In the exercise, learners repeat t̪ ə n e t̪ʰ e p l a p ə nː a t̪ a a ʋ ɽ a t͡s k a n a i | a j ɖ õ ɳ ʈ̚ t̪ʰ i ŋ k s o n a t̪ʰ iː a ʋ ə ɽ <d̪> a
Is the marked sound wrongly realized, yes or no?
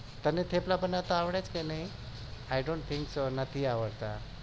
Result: yes